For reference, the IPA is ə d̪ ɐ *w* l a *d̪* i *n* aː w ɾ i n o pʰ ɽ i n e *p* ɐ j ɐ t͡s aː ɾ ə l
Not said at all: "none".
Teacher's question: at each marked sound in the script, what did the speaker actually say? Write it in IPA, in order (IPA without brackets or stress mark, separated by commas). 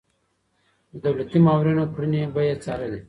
w, t̪, m, b